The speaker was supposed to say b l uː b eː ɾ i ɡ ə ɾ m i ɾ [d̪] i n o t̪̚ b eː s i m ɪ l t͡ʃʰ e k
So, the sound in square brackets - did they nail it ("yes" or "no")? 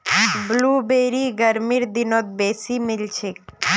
yes